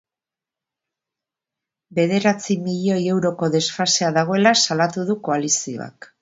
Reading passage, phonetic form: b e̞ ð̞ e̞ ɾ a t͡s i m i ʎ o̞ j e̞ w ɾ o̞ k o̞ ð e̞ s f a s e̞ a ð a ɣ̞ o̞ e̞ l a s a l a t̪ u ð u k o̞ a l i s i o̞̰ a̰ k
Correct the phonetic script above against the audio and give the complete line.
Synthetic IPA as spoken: b e̞ ð̞ e̞ ɾ a t͡s i m i ʎ o̞ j e̞ w ɾ o̞ k o̞ ð e̞ s f a s e̞ a ð a ɣ̞ o̞ e̞ l a s a l a t̪ u ð u k o̞ a l i s i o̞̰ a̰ k